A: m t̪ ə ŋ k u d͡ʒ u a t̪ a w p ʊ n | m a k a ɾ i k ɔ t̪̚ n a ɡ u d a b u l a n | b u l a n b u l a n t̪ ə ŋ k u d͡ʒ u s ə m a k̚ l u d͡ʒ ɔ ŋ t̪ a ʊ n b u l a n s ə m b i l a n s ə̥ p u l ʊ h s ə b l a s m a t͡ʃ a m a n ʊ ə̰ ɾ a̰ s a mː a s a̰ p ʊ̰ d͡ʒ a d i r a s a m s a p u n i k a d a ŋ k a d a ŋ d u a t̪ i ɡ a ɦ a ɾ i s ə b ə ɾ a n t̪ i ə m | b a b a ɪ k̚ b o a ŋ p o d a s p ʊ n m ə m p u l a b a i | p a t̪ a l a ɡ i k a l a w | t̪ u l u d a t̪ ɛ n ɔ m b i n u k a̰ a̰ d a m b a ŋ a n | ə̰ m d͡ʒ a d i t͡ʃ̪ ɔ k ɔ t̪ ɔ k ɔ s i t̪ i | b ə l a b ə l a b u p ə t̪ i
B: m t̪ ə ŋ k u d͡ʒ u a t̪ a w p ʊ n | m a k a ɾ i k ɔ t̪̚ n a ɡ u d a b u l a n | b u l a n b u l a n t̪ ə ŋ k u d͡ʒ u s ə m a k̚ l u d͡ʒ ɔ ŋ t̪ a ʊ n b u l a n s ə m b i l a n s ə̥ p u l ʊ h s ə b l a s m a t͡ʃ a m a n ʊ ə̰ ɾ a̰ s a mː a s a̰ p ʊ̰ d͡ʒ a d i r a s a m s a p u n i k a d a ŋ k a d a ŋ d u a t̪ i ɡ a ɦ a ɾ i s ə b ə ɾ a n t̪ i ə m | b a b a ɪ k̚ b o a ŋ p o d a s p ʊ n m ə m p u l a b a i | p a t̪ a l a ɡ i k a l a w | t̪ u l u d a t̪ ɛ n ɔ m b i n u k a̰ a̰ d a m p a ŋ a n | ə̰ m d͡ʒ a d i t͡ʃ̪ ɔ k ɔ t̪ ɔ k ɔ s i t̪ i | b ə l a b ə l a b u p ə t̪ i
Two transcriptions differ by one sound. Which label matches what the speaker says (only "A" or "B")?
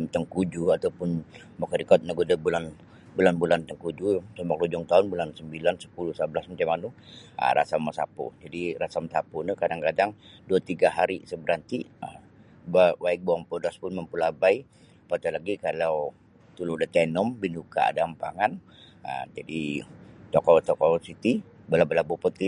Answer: B